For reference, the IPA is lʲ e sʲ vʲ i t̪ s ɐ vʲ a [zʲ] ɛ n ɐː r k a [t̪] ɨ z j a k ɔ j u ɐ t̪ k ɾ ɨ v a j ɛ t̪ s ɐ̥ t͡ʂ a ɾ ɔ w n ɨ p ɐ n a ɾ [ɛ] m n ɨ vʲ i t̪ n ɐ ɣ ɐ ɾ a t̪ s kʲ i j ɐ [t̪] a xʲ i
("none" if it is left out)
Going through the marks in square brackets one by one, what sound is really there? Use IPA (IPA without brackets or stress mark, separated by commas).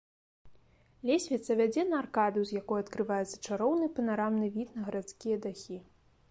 d͡zʲ, d̪, a, d̪